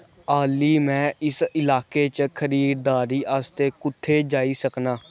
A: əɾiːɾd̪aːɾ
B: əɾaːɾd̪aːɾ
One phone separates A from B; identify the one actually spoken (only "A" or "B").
A